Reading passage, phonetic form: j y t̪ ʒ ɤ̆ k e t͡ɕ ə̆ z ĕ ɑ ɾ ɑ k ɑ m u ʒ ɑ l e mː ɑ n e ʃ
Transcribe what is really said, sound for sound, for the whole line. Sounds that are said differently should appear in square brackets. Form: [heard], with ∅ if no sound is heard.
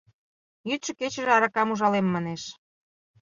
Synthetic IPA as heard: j y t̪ [ʃ] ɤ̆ k e t͡ɕ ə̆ [ʒ] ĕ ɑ ɾ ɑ k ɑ m u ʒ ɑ l e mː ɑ n e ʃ

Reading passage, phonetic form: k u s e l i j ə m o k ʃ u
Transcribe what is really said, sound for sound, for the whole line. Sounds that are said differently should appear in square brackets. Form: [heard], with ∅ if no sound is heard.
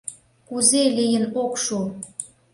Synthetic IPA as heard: k u [z] e l i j ə [n] o k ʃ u

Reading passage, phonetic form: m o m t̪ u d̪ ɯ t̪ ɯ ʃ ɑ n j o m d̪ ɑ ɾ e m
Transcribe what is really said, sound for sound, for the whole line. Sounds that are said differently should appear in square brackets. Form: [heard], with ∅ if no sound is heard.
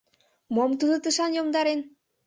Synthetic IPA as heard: m o m t̪ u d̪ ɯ t̪ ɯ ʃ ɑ n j o m d̪ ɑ ɾ e [n]

